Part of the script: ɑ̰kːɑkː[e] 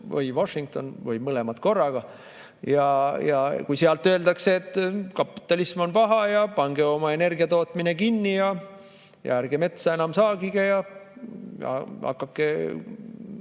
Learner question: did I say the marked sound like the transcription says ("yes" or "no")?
yes